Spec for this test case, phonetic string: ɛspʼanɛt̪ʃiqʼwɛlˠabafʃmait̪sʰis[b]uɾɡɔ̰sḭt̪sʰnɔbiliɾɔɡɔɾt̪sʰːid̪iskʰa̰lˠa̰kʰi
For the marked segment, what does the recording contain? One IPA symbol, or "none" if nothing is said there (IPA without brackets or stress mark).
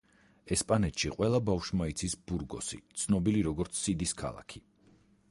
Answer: b